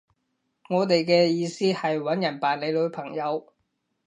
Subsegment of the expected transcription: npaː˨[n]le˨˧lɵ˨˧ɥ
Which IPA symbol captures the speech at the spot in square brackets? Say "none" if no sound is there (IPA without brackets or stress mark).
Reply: n